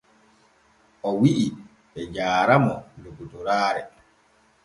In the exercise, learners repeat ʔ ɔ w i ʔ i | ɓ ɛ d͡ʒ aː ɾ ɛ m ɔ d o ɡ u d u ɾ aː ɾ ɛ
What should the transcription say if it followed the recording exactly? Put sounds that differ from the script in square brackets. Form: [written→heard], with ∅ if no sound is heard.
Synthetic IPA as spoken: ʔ ɔ w i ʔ i | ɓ ɛ d͡ʒ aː ɾ [ɛ→a] m ɔ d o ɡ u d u ɾ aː ɾ ɛ

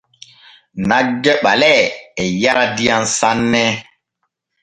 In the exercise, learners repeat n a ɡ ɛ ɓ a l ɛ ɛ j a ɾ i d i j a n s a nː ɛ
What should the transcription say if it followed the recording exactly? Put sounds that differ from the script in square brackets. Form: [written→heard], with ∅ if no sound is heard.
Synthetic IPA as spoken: n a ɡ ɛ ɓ a l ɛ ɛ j a ɾ [i→a] d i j a n s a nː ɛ

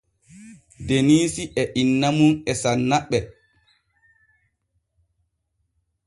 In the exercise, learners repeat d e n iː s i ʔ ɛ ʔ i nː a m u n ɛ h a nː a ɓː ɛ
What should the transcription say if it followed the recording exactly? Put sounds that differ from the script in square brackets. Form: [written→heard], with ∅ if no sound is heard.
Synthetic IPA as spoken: d e n iː s i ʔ ɛ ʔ i nː a m u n ɛ [h→s] a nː a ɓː ɛ

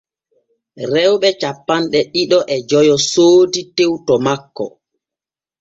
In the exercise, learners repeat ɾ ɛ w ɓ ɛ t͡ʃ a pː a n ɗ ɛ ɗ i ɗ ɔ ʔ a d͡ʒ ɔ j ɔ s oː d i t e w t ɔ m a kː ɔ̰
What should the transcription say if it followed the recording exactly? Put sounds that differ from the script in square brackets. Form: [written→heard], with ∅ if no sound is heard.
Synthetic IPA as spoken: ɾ ɛ w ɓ ɛ t͡ʃ a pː a n ɗ ɛ ɗ i ɗ ɔ ʔ [a→ɛ] d͡ʒ ɔ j ɔ s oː d i t e w t ɔ m a kː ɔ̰

